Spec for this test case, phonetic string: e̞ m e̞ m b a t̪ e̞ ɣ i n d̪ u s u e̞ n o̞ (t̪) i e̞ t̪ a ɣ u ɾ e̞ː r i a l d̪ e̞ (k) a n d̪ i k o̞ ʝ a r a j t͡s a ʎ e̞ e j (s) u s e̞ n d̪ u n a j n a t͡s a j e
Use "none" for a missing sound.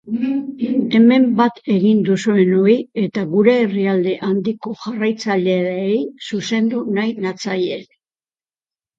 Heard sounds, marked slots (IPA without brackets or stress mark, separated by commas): none, ʔ, s